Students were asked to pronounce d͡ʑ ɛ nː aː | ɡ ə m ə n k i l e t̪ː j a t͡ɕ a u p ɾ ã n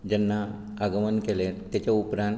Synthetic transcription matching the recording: d͡ʑ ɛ nː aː | ɡ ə m ə n k e l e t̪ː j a t͡ɕ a u p ɾ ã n